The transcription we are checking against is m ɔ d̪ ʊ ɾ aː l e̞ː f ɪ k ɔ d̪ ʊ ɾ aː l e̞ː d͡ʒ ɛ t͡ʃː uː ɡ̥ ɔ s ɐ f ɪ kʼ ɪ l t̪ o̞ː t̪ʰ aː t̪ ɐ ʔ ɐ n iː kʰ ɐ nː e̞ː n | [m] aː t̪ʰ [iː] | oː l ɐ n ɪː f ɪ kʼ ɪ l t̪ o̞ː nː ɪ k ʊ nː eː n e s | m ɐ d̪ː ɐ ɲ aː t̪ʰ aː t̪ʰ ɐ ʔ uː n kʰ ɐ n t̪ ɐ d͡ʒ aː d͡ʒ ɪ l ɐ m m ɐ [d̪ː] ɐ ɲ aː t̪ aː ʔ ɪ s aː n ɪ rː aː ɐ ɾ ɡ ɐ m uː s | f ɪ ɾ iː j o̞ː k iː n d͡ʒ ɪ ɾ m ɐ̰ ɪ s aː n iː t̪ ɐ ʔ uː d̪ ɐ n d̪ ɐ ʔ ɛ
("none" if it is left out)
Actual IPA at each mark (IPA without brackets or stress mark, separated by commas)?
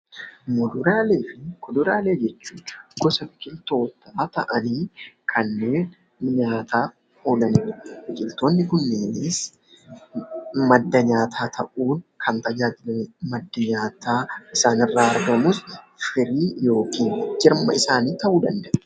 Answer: ɲ, aː, d̪ː